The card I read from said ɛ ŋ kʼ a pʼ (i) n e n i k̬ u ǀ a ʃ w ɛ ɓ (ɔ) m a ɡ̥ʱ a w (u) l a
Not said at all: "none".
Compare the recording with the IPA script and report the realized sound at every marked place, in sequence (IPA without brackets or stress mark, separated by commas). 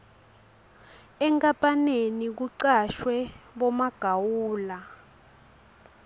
a, ɔ, uː